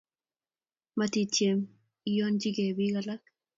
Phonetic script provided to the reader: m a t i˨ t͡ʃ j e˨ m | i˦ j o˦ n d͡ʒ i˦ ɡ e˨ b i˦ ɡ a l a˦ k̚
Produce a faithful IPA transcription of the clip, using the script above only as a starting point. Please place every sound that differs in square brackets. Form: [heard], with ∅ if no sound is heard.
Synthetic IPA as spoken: m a t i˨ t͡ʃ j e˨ m | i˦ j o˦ n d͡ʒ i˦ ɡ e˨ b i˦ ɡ a l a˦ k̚